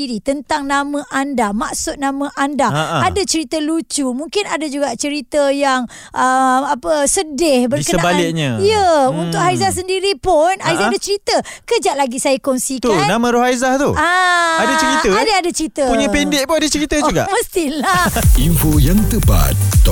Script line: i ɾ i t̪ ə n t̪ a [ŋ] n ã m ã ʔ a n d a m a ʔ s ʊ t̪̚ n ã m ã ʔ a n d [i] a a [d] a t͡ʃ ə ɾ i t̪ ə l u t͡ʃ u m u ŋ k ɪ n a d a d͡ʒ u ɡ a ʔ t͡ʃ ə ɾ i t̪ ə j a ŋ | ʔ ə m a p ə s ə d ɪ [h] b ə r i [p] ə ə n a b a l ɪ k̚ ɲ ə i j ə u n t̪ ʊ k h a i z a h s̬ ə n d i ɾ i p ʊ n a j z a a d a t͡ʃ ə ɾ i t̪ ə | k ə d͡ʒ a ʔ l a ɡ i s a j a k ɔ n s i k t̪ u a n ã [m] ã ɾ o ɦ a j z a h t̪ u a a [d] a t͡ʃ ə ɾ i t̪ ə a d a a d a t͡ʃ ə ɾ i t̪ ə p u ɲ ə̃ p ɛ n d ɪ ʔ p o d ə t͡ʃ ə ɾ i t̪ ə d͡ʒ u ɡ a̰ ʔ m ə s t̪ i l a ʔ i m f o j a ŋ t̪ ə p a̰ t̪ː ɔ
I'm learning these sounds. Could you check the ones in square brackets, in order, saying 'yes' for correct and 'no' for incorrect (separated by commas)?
yes, no, yes, yes, no, yes, yes